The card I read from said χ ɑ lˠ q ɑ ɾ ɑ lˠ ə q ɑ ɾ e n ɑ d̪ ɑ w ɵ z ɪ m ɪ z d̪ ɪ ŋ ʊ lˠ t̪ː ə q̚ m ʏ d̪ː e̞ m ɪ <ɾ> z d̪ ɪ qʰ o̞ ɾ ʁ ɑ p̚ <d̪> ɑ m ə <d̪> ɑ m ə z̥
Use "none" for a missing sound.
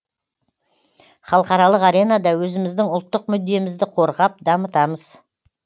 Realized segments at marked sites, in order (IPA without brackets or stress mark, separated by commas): none, d̪, t̪